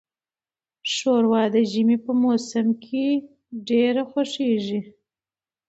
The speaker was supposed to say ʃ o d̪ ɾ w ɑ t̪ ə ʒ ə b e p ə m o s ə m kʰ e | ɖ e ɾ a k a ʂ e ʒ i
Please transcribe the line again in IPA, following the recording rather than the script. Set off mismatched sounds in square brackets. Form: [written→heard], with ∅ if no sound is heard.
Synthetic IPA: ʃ o [d̪→∅] ɾ w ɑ [t̪→d̪] ə ʒ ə [b→m] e p ə m o s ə m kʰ e | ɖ e ɾ a [k→x] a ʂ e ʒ i